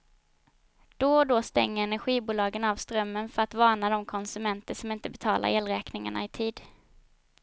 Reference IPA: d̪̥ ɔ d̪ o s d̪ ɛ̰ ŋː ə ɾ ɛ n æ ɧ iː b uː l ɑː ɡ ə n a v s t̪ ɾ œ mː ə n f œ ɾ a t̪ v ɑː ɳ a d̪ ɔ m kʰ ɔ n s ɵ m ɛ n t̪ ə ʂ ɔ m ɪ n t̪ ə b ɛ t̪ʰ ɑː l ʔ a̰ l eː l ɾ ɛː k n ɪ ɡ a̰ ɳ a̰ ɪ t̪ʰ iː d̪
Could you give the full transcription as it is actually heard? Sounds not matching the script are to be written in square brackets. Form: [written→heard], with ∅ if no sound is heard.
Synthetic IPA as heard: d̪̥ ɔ d̪ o s [d̪→t̪] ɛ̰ ŋː ə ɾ ɛ n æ ɧ iː b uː l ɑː ɡ ə n a v s t̪ ɾ œ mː ə n f œ ɾ a t̪ v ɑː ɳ a d̪ ɔ m kʰ ɔ n s ɵ m ɛ n t̪ ə ʂ ɔ m ɪ n t̪ ə b ɛ t̪ʰ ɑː l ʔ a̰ [l→ɾ] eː l ɾ ɛː k n ɪ [ɡ→ŋ] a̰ ɳ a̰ ɪ t̪ʰ iː d̪